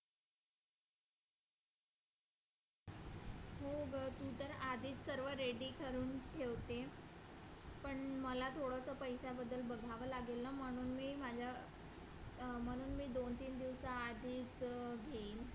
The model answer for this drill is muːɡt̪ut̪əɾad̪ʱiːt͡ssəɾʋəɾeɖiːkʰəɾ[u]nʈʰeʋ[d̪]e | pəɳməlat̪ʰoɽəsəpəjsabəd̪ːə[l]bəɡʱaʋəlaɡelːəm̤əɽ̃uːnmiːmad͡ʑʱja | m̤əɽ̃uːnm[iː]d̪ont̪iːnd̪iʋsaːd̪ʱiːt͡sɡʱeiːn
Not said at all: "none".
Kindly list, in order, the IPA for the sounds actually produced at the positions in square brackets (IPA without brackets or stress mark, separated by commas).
uː, t̪, l, iː